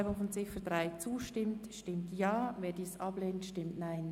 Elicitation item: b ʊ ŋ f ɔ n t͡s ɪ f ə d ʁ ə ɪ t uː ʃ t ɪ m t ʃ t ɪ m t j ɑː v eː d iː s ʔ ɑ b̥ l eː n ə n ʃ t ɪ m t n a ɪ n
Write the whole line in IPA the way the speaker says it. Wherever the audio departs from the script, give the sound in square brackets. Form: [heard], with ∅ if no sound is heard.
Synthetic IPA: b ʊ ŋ f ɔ n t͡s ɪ f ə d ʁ [a] ɪ [t͡s] uː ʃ t ɪ m t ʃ t ɪ m t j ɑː v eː d iː s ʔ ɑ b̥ l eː n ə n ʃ t ɪ m t n a ɪ n